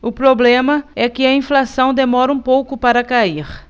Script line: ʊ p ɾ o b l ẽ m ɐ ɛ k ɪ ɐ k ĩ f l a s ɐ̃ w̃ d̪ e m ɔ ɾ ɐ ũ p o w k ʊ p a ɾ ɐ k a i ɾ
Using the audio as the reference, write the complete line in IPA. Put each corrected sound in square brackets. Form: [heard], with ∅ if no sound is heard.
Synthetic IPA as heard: ʊ p ɾ o b l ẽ m ɐ ɛ k ɪ ɐ [∅] ĩ f l a s ɐ̃ w̃ d̪ e m ɔ ɾ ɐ ũ p o w k ʊ p a ɾ ɐ k a i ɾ